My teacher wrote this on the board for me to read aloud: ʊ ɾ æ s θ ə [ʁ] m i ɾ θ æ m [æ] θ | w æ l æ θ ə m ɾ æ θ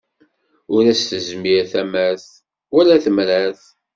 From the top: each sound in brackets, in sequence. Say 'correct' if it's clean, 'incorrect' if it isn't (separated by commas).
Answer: incorrect, correct